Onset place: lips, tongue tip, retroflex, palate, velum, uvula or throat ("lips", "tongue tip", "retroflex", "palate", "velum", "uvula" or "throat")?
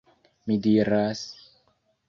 lips